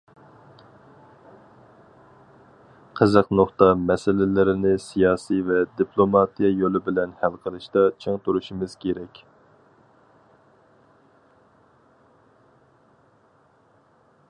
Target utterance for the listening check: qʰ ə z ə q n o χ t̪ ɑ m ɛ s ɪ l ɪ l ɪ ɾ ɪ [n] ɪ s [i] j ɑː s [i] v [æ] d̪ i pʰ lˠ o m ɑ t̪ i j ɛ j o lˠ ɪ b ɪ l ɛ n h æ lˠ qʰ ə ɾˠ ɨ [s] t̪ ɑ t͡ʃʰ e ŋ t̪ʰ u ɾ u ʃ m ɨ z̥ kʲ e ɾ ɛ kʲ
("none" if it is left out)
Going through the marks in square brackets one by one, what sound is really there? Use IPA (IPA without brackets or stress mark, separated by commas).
n, i, i, ɛ, ʃ